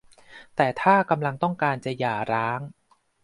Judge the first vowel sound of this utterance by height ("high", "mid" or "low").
mid